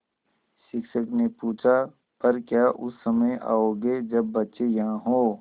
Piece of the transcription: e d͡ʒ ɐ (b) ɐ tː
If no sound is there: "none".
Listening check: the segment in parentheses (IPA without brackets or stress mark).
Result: bː